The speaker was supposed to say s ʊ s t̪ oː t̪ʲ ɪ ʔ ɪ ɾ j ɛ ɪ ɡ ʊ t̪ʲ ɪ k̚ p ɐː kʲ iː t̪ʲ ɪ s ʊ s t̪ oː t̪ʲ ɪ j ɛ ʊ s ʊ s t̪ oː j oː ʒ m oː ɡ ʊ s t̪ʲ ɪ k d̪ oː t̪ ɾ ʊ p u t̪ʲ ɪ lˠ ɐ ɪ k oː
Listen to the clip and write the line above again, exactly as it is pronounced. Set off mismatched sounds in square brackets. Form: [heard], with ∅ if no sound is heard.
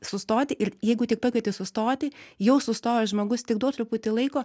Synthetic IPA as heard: s ʊ s t̪ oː t̪ʲ ɪ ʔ ɪ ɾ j ɛ ɪ ɡ ʊ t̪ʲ ɪ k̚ p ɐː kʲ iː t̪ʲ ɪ s ʊ s t̪ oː t̪ʲ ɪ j ɛ ʊ s ʊ s t̪ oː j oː ʒ m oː ɡ ʊ s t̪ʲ ɪ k d̪ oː t̪ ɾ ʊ p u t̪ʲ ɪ lˠ ɐ ɪ k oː